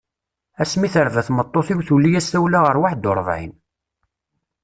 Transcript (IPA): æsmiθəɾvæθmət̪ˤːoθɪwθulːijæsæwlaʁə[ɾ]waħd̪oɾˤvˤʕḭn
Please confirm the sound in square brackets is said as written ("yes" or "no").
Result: yes